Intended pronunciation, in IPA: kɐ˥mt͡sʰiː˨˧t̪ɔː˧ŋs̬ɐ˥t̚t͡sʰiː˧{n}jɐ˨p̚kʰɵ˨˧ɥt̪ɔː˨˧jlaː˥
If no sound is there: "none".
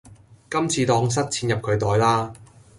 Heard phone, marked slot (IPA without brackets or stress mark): n